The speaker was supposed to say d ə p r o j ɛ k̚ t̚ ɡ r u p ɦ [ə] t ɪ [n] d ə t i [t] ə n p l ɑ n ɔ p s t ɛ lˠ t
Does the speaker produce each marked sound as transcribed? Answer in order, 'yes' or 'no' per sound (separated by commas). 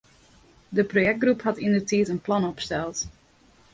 no, yes, yes